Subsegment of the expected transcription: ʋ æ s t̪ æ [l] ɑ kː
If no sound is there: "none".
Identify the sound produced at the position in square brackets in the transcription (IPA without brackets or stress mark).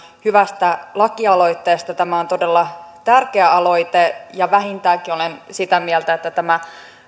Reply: l